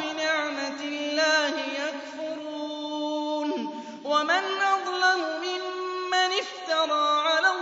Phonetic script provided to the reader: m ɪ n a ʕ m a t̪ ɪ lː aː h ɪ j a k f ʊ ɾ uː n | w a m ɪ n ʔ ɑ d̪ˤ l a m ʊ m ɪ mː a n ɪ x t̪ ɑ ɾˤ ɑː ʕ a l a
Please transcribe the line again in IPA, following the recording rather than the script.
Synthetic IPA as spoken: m ɪ n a ʕ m a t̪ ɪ lː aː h ɪ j a k f ʊ ɾ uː n | w a m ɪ n ʔ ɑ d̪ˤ l a m ʊ m ɪ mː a n ɪ f t̪ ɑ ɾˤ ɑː ʕ a l a